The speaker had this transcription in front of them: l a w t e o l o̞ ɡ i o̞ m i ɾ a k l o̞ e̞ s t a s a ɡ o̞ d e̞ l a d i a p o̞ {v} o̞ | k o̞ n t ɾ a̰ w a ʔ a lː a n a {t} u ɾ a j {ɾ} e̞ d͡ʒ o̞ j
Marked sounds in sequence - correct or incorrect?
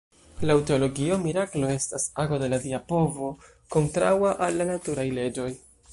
correct, correct, incorrect: l

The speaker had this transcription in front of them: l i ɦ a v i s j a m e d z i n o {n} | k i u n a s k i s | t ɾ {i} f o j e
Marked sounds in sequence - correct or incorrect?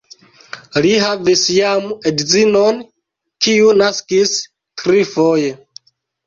correct, correct

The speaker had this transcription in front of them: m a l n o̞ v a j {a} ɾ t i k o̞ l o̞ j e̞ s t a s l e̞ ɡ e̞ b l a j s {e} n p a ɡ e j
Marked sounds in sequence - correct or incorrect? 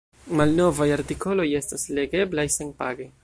correct, correct

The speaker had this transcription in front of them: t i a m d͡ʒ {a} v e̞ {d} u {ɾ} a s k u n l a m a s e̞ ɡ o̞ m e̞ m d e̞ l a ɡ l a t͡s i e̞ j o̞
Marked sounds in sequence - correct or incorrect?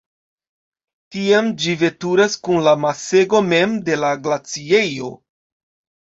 incorrect: i, incorrect: t, correct

